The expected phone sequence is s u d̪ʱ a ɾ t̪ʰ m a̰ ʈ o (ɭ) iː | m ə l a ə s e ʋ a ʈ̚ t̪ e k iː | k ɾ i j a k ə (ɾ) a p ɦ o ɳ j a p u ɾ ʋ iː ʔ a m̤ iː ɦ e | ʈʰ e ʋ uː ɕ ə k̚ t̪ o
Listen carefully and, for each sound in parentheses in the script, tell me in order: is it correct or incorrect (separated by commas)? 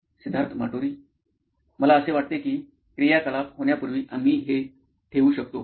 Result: incorrect, incorrect